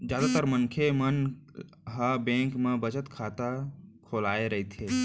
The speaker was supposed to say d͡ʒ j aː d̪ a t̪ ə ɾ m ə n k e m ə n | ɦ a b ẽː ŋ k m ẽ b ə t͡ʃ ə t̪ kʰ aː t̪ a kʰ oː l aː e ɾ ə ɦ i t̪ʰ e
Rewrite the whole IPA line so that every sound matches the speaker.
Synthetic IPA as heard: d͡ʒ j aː d̪ a t̪ ə ɾ m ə n kʰ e m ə n | ɦ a b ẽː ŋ k m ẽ b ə t͡ʃ ə t̪ kʰ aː t̪ a kʰ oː l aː e ɾ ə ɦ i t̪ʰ e